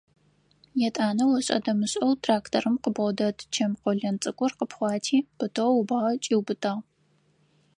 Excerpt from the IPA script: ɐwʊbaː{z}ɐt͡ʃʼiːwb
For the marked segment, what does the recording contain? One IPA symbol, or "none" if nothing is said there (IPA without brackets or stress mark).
ʁ